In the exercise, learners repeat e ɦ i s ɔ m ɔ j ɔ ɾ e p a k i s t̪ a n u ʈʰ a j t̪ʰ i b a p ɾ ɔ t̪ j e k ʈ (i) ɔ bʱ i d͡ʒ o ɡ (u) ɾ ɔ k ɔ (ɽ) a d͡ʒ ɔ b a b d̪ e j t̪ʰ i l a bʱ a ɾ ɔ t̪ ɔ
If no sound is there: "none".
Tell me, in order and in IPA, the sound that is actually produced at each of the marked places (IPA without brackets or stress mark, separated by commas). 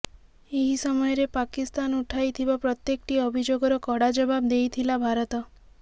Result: i, ɔ, ɽ